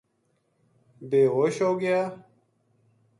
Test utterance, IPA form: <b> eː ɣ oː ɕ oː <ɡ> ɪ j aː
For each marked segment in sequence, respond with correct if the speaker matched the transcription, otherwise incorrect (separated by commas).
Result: correct, correct